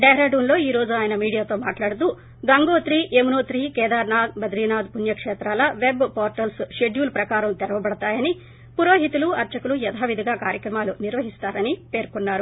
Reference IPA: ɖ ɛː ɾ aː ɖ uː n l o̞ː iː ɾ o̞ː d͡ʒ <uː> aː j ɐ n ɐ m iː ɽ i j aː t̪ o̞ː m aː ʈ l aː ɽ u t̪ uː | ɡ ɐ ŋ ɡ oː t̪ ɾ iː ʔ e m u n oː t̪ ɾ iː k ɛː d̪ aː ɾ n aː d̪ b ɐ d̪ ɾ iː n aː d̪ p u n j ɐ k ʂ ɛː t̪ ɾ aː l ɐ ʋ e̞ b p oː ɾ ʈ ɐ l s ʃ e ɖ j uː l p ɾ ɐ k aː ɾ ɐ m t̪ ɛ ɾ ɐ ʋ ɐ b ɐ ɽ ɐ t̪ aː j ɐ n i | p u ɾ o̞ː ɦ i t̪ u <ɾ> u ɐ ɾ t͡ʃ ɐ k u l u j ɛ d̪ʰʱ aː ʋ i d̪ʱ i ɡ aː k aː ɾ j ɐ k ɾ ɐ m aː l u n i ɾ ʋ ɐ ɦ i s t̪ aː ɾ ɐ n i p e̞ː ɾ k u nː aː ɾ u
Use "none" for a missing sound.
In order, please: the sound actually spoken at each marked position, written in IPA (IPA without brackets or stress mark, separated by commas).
u, l